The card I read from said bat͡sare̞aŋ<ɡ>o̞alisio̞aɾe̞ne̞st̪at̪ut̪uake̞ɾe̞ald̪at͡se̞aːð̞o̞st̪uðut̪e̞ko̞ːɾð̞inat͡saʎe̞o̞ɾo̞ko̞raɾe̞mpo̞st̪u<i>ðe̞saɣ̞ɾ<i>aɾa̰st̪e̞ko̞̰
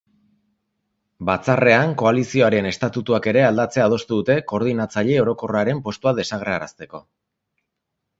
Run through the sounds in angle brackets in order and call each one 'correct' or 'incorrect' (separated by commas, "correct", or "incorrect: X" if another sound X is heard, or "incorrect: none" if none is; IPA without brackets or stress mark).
incorrect: k, incorrect: a, incorrect: e